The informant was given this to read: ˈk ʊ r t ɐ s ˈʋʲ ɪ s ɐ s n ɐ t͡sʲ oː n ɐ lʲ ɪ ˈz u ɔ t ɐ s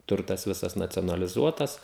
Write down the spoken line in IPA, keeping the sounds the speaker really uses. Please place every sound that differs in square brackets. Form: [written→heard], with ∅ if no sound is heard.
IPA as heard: [ˈk→ˈt] ʊ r t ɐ s ˈʋʲ ɪ s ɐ s n ɐ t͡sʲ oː n ɐ lʲ ɪ ˈz u ɔ t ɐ s